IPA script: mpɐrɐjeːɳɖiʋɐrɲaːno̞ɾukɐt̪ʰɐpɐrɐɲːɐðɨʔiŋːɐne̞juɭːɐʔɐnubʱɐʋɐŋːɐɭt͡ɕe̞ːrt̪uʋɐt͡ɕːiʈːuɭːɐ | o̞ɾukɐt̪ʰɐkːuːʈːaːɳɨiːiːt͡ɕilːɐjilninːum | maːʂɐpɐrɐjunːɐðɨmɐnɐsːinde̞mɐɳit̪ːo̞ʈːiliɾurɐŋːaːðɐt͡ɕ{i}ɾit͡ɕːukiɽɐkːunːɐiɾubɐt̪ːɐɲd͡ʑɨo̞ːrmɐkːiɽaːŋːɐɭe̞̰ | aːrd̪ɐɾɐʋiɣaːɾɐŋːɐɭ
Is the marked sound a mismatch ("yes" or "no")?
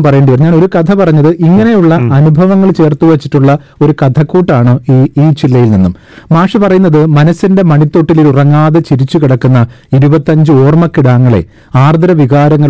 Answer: no